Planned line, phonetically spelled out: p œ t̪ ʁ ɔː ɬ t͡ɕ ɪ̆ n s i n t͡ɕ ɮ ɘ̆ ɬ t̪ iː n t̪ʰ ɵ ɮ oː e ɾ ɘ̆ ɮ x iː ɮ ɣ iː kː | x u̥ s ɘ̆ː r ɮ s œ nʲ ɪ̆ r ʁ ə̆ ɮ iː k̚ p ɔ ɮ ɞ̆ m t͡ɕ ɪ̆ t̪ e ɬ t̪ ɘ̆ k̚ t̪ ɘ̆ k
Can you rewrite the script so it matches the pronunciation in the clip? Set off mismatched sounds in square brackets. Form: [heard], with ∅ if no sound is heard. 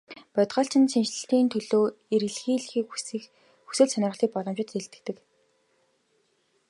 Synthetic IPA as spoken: p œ t̪ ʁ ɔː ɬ t͡ɕ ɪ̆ n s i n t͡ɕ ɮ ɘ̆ ɬ t̪ iː n t̪ʰ ɵ ɮ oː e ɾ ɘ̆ ɮ x iː ɮ [x] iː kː | x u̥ s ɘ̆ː [∅] ɮ s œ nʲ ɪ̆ r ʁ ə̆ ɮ iː k̚ p ɔ ɮ ɞ̆ m t͡ɕ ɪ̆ t̪ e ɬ t̪ ɘ̆ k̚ t̪ ɘ̆ k